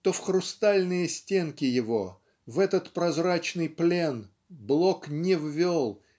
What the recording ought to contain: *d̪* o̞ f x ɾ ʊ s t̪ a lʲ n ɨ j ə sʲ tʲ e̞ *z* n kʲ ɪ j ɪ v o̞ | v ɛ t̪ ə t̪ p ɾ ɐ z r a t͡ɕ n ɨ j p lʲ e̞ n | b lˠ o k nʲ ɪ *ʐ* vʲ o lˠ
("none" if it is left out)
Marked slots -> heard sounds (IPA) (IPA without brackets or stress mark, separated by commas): t̪, none, v